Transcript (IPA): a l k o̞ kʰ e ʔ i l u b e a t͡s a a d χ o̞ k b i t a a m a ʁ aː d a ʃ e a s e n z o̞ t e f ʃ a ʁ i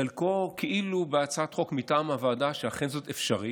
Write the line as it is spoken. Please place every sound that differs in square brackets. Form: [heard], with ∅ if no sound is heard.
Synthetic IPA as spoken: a l k o̞ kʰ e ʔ i l u b e a t͡s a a [t] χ o̞ k [m] i t a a m a [v] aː d a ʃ e a [χ] e n z o̞ t e f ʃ a ʁ i